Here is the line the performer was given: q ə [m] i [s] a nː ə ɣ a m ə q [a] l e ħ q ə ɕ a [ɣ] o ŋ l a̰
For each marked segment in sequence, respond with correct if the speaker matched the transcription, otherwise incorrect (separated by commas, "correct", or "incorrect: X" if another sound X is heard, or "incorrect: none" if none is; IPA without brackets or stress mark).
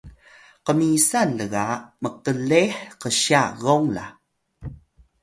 correct, correct, incorrect: ə, correct